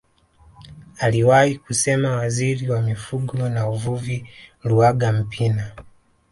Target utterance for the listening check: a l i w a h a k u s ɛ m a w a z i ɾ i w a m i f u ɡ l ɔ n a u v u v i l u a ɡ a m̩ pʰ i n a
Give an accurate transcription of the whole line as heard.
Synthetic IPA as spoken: a l i w a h i k u s ɛ m a w a z i ɾ i w a m i f u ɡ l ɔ n a u v u v i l u a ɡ a m̩ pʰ i n a